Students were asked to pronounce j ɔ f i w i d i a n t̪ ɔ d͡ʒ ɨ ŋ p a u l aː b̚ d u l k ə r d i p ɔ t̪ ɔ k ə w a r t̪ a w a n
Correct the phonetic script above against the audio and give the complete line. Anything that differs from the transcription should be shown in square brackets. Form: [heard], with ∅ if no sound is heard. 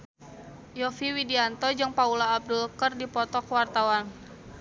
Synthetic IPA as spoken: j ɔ f i w i d i a n t̪ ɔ d͡ʒ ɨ ŋ p a u l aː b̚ d u l k ə r d i p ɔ t̪ ɔ k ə w a r t̪ a w a n